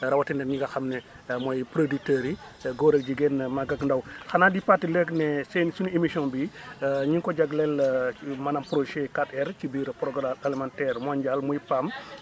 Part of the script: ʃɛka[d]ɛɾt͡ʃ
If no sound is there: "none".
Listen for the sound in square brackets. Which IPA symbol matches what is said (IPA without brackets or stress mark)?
t